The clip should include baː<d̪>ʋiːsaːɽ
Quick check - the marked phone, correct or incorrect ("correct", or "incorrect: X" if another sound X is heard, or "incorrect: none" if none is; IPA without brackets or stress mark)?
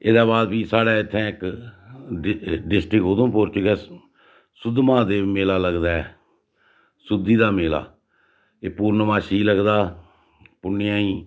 correct